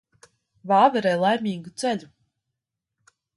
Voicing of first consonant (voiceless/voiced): voiced